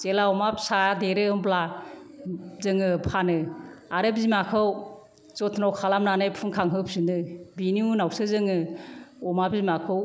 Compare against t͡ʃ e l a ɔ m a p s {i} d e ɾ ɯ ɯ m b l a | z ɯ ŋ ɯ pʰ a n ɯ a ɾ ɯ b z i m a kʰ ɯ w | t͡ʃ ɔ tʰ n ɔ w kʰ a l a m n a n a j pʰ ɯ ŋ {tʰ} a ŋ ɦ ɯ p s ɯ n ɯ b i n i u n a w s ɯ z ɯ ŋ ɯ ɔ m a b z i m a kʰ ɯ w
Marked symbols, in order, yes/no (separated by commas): no, no